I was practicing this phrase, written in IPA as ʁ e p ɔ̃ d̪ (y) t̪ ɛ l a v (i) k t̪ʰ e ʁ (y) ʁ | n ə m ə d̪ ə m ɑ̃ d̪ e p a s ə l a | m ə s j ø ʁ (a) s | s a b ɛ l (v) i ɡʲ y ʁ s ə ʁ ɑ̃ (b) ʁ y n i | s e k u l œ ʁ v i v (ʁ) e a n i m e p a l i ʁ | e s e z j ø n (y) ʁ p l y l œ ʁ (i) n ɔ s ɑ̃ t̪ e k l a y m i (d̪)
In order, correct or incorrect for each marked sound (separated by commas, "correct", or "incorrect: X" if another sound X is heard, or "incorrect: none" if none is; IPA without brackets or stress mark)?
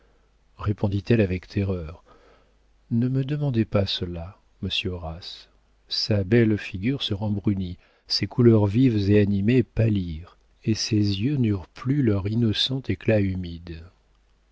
incorrect: i, incorrect: ɛ, incorrect: œ, correct, incorrect: f, correct, incorrect: z, correct, correct, correct